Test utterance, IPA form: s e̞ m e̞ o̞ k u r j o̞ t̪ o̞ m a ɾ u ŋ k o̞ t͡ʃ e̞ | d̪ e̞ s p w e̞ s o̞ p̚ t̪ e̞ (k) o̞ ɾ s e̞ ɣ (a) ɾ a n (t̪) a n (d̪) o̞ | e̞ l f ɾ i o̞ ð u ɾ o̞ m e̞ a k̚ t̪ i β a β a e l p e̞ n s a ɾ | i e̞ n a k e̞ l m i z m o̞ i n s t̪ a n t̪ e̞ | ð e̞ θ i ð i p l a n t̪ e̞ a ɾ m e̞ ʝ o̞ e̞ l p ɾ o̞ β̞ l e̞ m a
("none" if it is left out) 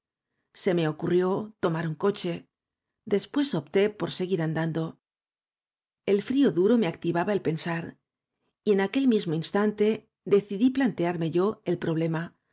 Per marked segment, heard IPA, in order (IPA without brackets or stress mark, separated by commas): p, i, d̪, d̪